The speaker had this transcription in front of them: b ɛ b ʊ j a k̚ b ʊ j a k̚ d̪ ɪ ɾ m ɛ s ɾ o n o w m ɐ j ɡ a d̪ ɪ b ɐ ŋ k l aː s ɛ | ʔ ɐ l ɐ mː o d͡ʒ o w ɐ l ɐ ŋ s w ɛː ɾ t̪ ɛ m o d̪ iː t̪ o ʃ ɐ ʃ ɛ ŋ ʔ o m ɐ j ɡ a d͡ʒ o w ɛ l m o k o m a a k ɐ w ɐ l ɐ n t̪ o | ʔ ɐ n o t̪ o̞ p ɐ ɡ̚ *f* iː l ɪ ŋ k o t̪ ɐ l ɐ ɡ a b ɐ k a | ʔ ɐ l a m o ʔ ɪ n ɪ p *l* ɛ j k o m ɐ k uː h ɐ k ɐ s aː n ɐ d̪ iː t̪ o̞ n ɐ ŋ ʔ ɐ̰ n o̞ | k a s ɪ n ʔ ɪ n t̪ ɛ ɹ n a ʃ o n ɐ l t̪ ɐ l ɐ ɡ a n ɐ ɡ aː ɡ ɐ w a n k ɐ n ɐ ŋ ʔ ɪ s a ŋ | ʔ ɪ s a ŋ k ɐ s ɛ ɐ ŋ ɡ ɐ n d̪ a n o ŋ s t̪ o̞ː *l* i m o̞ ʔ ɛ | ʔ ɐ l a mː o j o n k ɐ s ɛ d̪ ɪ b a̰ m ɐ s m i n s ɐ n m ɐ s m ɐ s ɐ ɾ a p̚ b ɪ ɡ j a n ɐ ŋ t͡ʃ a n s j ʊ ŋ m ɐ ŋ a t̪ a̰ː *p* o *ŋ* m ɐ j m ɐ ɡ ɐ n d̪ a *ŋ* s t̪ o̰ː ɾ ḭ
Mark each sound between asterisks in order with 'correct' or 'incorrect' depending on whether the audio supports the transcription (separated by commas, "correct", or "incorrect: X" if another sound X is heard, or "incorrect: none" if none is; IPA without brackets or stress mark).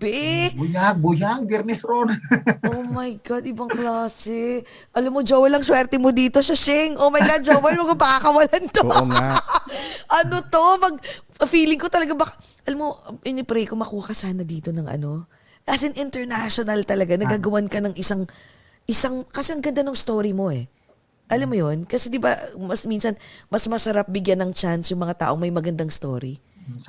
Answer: correct, incorrect: ɾ, incorrect: ɾ, incorrect: ʔ, correct, correct